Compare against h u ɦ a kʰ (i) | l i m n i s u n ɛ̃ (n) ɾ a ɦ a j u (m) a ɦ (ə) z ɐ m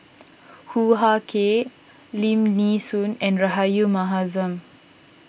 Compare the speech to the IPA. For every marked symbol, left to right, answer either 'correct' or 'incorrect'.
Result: incorrect: e, correct, correct, incorrect: a

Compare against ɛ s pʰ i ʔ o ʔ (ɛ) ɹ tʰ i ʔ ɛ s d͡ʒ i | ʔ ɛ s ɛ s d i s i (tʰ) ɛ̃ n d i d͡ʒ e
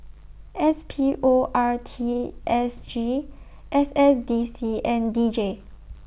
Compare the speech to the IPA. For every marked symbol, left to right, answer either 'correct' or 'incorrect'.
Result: incorrect: a, incorrect: none

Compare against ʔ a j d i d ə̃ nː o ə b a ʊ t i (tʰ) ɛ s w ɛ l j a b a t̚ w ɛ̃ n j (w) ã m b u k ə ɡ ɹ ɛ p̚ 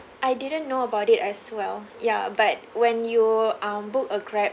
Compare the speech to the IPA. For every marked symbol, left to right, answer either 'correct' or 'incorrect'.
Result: incorrect: t, incorrect: u

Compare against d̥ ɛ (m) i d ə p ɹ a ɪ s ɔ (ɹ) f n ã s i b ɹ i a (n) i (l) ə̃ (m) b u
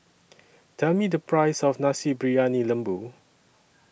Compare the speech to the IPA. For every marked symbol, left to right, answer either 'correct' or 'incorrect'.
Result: correct, incorrect: none, correct, correct, correct

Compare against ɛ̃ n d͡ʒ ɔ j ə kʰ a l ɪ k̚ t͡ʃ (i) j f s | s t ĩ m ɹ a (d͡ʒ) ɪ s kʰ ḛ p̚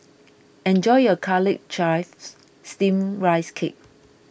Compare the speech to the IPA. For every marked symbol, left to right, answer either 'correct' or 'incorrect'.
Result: incorrect: a, incorrect: none

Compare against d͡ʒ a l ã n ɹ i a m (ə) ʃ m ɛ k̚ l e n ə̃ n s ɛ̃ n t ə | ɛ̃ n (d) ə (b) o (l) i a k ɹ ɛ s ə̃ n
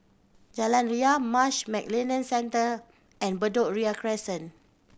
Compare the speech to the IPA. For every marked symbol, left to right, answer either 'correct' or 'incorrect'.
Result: incorrect: a, incorrect: b, incorrect: d, incorrect: ɹ

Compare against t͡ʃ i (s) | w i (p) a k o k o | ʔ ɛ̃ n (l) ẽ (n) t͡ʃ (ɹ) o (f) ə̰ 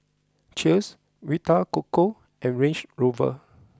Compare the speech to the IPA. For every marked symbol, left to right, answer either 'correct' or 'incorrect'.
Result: correct, incorrect: t, incorrect: ɹ, correct, correct, incorrect: v

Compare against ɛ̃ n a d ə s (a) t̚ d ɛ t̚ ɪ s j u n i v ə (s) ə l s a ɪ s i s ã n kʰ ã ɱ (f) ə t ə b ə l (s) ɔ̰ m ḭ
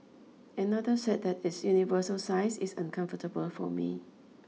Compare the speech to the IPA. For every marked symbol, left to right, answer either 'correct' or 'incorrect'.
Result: incorrect: ɛ, correct, correct, incorrect: f

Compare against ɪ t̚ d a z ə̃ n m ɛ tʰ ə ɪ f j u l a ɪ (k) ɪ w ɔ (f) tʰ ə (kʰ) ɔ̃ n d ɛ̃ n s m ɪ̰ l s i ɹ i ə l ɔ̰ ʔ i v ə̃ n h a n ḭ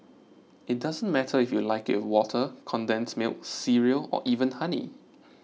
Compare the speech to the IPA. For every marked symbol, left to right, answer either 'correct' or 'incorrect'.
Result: correct, incorrect: none, correct

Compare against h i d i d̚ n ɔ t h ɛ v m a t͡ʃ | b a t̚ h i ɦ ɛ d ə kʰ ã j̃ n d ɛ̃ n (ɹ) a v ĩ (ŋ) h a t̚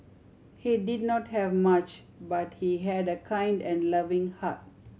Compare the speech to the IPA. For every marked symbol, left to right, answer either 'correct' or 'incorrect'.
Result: incorrect: l, correct

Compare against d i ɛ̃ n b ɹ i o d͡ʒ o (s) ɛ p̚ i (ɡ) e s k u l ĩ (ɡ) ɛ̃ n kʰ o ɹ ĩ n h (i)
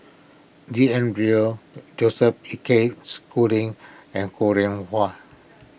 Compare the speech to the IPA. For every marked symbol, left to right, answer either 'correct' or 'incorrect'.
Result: correct, incorrect: k, incorrect: ŋ, incorrect: a

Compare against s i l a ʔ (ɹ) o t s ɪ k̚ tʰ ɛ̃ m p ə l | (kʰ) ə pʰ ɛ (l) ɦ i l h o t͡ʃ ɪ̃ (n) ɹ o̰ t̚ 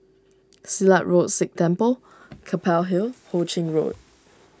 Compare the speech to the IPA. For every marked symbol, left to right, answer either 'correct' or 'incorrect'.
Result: correct, correct, correct, incorrect: ŋ

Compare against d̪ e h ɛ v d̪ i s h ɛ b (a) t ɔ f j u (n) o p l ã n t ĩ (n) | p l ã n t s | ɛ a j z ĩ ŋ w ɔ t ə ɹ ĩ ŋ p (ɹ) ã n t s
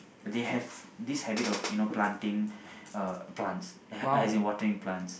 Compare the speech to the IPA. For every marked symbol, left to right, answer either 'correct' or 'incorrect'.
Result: incorrect: i, correct, incorrect: ŋ, incorrect: l

